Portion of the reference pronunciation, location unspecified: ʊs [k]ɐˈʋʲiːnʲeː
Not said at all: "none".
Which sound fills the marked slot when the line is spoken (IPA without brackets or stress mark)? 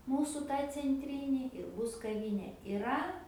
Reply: k